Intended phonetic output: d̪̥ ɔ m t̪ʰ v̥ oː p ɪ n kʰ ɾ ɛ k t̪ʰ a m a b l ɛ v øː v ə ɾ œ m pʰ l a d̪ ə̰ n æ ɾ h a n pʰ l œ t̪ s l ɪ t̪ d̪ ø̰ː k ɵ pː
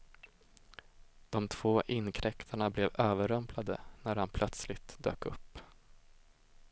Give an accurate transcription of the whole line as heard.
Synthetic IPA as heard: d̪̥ ɔ m t̪ʰ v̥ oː ʔ ɪ n kʰ ɾ ɛ k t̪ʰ a ɳ a b l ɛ v øː v ə ɾ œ m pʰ l a d̪ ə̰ n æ ɾ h a n pʰ l œ t̪ s l ɪ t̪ d̪ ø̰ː k ɵ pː